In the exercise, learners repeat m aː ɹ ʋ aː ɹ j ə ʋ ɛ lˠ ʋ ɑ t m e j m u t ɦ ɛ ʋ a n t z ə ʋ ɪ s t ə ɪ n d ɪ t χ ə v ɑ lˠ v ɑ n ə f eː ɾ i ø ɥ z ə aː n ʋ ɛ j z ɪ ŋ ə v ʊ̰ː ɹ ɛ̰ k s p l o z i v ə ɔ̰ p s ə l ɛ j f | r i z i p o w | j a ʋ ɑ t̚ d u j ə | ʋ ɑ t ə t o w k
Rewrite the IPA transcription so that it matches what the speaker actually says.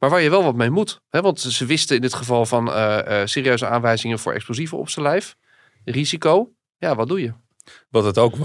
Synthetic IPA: m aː ɹ ʋ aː ɹ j ə ʋ ɛ lˠ ʋ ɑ t m e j m u t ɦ ɛ ʋ ɑ n t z ə ʋ ɪ s t ə ɪ n d ɪ t χ ə v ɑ lˠ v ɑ n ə s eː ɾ i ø ɥ z ə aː n ʋ ɛ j z ɪ ŋ ə v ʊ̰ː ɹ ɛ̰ k s p l o z i v ə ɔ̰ p s ə l ɛ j f | r i z i k o w | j a ʋ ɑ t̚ d u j ə | ʋ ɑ t ə t o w k